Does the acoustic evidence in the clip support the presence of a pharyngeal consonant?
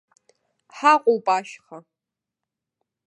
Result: yes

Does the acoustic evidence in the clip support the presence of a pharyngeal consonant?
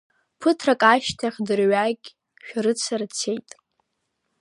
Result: no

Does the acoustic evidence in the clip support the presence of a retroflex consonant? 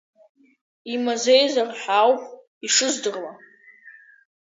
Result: yes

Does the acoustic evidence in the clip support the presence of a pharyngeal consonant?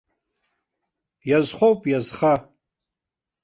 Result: no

